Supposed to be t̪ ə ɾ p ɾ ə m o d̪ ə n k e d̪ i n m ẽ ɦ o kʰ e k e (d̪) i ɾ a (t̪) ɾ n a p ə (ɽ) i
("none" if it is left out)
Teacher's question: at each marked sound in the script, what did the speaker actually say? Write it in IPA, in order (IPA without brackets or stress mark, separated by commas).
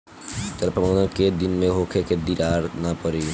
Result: d̪, none, ɾ